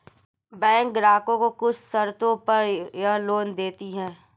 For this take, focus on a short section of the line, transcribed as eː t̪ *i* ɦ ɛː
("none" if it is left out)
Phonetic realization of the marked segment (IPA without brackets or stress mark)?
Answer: i